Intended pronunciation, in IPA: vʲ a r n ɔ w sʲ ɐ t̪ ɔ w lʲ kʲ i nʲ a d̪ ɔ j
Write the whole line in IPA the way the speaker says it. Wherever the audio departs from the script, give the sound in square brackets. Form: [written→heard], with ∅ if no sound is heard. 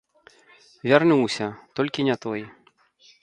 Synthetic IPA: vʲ a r n [ɔ→u] w sʲ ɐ t̪ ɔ [w→∅] lʲ kʲ i nʲ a [d̪→t̪] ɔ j